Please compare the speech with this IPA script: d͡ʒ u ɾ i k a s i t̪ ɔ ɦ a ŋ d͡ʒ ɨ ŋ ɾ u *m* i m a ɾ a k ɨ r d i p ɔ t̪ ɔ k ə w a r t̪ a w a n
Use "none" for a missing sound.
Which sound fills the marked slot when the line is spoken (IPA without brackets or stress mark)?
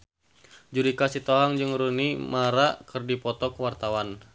n